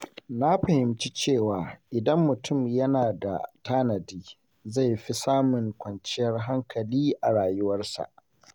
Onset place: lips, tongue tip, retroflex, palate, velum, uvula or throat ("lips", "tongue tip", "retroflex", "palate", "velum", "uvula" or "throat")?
tongue tip